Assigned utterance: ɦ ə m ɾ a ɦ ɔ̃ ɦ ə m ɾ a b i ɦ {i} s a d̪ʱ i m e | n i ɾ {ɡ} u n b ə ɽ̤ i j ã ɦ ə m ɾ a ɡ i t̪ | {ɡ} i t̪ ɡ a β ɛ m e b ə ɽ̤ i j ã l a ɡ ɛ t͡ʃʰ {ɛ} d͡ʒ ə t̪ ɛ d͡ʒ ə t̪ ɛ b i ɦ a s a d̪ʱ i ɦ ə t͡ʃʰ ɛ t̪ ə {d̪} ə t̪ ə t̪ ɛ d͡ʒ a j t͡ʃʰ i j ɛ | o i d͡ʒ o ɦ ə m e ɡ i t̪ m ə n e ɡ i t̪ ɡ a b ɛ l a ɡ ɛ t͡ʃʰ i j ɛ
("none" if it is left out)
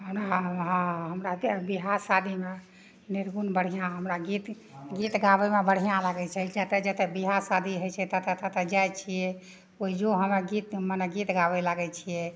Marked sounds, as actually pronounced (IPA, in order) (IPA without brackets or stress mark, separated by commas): a, ɡ, ɡ, ɛ, t̪